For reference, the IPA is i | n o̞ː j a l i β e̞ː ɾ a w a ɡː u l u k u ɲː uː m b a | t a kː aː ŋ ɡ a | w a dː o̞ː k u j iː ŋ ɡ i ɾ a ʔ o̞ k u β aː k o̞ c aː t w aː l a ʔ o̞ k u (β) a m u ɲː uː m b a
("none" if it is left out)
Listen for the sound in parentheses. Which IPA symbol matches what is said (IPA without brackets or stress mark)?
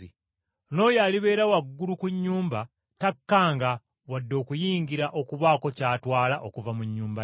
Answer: v